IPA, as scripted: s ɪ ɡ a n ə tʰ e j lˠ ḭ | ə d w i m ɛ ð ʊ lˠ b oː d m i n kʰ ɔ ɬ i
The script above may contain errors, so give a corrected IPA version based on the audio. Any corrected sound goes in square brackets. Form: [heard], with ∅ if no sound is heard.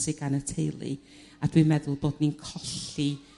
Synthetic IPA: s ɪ ɡ a n ə tʰ e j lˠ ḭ | [a] d w i m ɛ ð ʊ lˠ b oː d [n] i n kʰ ɔ ɬ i